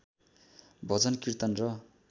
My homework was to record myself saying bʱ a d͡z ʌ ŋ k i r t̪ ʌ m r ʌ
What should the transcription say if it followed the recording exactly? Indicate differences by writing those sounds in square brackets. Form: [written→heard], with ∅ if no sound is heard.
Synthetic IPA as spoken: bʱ [a→ʌ] d͡z ʌ [ŋ→n] k i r t̪ ʌ [m→n] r ʌ